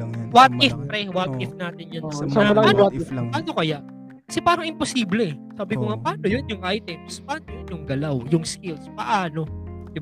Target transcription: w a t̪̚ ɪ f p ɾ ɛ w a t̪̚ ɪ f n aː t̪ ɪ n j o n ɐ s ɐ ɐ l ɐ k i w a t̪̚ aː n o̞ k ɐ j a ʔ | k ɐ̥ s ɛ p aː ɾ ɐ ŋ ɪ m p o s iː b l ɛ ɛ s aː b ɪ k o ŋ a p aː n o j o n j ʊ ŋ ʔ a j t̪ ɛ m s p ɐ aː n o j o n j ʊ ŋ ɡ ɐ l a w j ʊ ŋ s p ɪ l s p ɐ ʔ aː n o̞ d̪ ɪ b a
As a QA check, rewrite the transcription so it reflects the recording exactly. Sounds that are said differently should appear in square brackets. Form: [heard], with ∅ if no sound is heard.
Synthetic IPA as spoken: w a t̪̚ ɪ f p ɾ ɛ w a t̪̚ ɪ f n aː t̪ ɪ n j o n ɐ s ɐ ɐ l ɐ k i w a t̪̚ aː n o̞ k ɐ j a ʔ | k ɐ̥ s ɛ p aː ɾ ɐ ŋ ɪ m p o s iː b l ɛ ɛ s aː b ɪ k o ŋ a p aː n o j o n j ʊ ŋ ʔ a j t̪ ɛ m s p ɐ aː n o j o n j ʊ ŋ ɡ ɐ l a w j ʊ ŋ s [k] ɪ l s p ɐ ʔ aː n o̞ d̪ ɪ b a